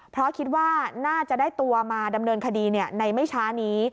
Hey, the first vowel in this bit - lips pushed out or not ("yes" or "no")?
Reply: yes